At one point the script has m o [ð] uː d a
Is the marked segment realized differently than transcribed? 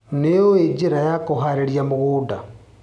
yes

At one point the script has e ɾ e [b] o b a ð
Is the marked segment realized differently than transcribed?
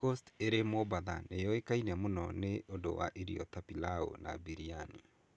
yes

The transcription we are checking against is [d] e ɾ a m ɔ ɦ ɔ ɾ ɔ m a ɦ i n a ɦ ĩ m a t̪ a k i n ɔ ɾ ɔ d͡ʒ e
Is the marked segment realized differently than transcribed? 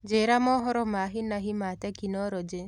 yes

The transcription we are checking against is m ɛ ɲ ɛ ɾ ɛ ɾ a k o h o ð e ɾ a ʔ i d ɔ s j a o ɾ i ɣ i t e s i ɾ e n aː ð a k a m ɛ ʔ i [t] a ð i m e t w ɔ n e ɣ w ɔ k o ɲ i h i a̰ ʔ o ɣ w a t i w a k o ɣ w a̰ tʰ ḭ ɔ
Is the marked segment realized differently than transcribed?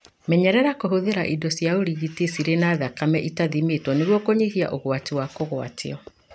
no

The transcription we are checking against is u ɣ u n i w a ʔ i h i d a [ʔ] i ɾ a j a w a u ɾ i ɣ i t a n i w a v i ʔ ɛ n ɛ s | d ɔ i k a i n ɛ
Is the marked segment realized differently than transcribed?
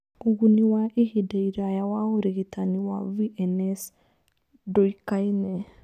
yes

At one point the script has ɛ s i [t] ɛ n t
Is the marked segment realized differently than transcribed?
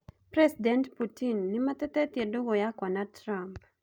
yes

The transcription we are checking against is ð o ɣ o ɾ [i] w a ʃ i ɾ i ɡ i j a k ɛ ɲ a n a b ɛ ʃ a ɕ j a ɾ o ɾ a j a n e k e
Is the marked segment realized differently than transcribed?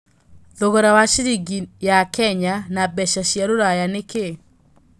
yes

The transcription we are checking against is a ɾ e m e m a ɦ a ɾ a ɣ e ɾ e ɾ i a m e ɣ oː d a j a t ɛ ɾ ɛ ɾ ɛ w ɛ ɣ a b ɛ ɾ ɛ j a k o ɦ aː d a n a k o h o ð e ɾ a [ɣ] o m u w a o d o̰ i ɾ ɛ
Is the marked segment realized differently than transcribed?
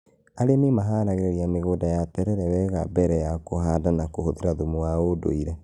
yes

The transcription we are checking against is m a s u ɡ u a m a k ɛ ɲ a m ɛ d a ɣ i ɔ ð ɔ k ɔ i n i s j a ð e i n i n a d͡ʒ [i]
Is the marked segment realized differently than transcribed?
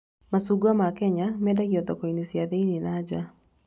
yes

